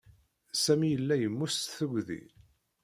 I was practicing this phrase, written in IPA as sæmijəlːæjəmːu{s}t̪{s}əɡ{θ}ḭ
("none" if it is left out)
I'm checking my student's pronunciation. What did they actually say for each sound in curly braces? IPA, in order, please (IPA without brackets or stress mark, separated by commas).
s, θ, ð